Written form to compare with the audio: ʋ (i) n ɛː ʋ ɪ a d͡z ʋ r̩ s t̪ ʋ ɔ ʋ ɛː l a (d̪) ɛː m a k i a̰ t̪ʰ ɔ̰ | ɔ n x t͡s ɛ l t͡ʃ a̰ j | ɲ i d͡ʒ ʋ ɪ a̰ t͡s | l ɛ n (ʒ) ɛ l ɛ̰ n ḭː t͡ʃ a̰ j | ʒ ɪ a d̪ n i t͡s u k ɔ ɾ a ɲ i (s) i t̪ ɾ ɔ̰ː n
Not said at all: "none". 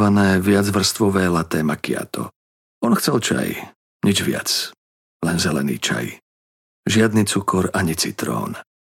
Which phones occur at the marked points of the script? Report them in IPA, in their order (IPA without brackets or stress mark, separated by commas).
a, t̪, z, t͡s